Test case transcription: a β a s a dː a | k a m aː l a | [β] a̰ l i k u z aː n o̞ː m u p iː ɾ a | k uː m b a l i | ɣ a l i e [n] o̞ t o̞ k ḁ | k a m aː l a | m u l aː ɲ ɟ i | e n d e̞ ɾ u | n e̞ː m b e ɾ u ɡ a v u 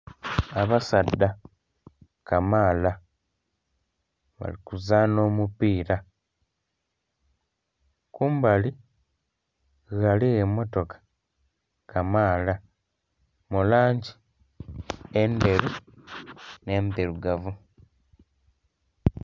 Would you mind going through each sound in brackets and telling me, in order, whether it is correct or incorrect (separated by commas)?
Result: correct, incorrect